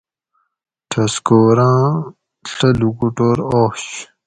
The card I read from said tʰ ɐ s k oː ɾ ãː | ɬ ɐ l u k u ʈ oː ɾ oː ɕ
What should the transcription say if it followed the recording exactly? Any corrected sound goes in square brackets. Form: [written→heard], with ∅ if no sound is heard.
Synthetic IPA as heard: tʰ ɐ s k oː ɾ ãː | ɬ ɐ l u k u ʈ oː ɾ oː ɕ

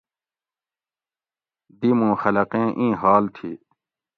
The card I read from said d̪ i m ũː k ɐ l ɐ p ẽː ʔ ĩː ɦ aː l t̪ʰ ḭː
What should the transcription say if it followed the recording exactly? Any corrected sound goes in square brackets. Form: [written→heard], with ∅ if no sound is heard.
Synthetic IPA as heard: d̪ i m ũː [k→x] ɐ l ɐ [p→q] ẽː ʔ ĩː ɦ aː l t̪ʰ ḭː

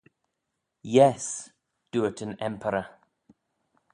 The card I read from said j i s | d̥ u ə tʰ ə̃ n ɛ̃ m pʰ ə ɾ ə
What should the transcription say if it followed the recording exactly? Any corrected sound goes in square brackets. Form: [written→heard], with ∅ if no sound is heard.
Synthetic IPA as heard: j [i→ɛ] s | d̥ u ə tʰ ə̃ n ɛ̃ m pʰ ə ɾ ə

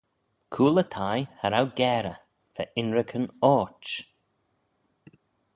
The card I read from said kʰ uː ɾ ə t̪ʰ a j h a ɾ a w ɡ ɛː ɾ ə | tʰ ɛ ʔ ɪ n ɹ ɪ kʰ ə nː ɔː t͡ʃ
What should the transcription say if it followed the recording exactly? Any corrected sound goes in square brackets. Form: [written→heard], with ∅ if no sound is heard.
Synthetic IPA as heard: kʰ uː [ɾ→l] ə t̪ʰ a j h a ɾ a w ɡ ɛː ɾ ə | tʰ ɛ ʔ ɪ n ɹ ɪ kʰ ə [nː→n] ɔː t͡ʃ

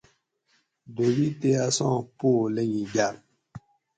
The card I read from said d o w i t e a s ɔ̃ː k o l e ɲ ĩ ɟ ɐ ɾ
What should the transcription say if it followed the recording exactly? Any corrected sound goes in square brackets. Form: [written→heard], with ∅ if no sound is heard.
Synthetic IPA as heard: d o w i t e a s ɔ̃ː [k→p] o l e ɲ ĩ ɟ [ɐ→a] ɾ

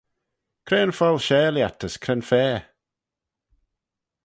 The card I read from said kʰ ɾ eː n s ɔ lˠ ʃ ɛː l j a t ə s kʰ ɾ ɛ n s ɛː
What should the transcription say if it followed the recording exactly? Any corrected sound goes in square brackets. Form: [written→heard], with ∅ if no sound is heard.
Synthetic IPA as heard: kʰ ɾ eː n [s→f] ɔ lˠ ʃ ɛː l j a t ə s kʰ ɾ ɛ n [s→f] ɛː

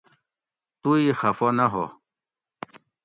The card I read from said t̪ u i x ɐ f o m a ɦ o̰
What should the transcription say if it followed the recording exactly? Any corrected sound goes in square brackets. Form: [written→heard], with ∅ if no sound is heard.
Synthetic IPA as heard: t̪ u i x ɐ f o [m→n] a ɦ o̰

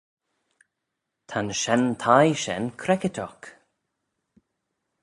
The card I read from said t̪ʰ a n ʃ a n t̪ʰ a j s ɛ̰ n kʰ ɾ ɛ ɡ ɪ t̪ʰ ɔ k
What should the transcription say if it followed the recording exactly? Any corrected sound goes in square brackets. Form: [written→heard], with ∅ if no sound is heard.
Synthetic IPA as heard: t̪ʰ a n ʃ [a→ɛ] n t̪ʰ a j [s→ʃ] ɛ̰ n kʰ ɾ ɛ [ɡ→k] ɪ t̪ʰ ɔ k

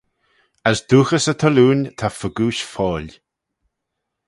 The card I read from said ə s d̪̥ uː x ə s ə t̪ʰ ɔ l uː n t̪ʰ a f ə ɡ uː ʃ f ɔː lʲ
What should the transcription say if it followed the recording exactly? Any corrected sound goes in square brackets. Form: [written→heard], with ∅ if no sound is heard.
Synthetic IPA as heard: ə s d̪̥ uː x ə s ə t̪ʰ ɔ l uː n t̪ʰ a f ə ɡ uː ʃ f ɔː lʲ

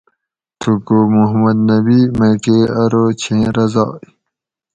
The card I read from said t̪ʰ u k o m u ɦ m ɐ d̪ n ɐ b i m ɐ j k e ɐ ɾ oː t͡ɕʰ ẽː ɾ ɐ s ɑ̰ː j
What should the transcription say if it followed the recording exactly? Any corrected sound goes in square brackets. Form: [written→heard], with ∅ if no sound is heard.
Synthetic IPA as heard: t̪ʰ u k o m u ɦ m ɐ d̪ n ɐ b i m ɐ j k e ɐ ɾ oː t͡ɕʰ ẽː ɾ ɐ [s→z] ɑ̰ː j

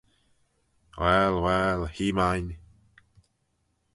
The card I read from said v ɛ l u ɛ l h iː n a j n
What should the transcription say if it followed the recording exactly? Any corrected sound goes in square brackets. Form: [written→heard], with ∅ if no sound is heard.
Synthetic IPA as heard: [v→w] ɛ l [u→w] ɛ l h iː [n→m] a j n

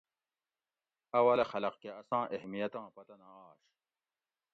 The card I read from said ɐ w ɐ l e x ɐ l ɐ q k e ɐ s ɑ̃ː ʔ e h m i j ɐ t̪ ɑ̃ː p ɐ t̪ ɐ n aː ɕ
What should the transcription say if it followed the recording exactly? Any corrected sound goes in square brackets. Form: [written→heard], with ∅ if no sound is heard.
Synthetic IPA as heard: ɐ w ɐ l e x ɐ l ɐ q k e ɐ s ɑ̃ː ʔ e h m i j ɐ t̪ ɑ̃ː p ɐ t̪ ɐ n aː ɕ

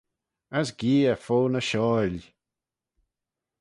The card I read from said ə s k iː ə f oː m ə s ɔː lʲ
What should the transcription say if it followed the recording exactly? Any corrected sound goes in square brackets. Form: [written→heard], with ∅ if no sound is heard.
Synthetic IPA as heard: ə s [k→ɡ] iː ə f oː [m→n] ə [s→ʃ] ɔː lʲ

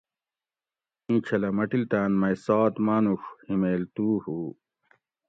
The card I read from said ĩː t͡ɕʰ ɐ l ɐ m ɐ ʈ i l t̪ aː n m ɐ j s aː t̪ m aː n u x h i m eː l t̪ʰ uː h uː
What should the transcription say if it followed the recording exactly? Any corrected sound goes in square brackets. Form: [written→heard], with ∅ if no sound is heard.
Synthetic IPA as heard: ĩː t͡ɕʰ ɐ l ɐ m ɐ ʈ i l t̪ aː n m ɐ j s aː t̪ m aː n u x h i m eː l [t̪ʰ→t̪] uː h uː

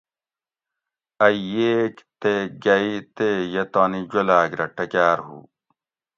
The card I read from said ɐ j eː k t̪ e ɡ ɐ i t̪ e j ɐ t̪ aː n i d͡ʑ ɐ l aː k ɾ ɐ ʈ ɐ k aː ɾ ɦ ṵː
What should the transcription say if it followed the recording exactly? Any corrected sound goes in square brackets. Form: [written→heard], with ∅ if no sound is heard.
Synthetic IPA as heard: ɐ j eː k t̪ e ɡ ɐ i t̪ e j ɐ t̪ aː n i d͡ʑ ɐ l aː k ɾ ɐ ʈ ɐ k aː ɾ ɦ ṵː

